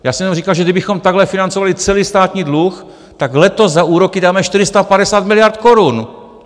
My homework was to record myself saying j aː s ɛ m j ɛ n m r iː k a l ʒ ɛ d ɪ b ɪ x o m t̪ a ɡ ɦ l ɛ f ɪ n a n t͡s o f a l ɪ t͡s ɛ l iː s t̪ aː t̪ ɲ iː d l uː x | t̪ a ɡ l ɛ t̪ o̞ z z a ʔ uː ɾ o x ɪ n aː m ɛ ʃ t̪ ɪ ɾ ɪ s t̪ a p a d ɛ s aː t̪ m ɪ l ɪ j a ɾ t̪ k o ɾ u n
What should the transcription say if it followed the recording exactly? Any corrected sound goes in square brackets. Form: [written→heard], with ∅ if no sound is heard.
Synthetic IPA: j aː s ɛ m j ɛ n m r iː k a l ʒ ɛ d ɪ b ɪ x o m t̪ a ɡ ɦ l ɛ f ɪ n a n t͡s o [f→v] a l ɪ t͡s ɛ l iː s t̪ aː t̪ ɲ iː d l [uː→u] x | t̪ a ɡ l ɛ t̪ o̞ z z a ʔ uː ɾ o [x→k] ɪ [n→d] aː m ɛ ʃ t̪ ɪ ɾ ɪ s t̪ a p a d ɛ s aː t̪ m ɪ l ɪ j a ɾ t̪ k o ɾ u n